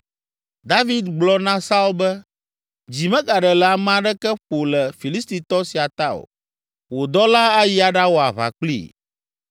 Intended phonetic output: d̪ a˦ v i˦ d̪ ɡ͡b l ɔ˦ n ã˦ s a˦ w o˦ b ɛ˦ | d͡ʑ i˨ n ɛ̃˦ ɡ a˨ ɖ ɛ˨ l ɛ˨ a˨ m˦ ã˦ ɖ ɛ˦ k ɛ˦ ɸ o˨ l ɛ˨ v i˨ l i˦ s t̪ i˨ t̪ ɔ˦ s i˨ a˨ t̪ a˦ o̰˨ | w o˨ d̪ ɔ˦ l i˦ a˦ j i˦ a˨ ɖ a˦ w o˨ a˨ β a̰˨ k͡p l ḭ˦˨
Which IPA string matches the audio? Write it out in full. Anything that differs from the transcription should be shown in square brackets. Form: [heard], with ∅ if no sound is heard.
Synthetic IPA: d̪ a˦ v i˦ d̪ ɡ͡b l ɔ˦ n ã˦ s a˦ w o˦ b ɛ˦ | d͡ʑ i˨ [m] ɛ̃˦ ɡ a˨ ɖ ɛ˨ l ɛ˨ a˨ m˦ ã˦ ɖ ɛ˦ k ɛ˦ ɸ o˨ l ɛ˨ [f] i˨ l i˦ s t̪ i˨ t̪ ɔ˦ s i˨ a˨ t̪ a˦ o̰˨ | w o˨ d̪ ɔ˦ l [a˦] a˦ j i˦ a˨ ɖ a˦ w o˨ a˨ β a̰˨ k͡p l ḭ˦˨